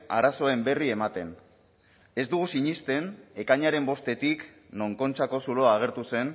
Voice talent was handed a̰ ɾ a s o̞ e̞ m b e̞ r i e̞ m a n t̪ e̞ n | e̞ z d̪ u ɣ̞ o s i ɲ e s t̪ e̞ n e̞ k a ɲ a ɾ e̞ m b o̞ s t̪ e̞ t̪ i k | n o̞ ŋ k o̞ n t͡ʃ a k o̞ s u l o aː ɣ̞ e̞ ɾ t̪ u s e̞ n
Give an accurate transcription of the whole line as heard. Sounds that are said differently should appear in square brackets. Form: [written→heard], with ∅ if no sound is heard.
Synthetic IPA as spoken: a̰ ɾ a s o̞ e̞ m b e̞ r i e̞ m a [n→∅] t̪ e̞ n | e̞ z d̪ u ɣ̞ [o→u] s i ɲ [e→i] s t̪ e̞ n e̞ k a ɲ a ɾ e̞ m b o̞ s t̪ e̞ t̪ i k | n o̞ ŋ k o̞ n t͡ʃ a k o̞ s u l o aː ɣ̞ e̞ ɾ t̪ u s e̞ n